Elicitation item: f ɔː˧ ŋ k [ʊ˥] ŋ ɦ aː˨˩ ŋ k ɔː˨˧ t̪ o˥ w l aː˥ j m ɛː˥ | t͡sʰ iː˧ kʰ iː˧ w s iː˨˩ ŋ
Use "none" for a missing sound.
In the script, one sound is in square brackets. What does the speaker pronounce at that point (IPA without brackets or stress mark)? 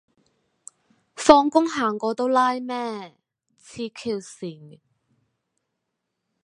ʊ˥